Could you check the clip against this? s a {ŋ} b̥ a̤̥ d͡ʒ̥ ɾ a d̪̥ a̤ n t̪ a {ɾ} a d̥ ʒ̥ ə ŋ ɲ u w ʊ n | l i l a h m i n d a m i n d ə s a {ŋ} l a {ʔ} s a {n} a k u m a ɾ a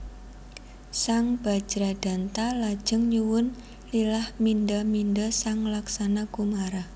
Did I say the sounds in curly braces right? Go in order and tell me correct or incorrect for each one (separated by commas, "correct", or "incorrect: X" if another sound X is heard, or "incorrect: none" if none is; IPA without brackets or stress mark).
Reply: correct, incorrect: l, correct, incorrect: k, correct